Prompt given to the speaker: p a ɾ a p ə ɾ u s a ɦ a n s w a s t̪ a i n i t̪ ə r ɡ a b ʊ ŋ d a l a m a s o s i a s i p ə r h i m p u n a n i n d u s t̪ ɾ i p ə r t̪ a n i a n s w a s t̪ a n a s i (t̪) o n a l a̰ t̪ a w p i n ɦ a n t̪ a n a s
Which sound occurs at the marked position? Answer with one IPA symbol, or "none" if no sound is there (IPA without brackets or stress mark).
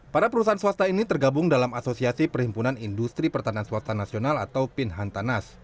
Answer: none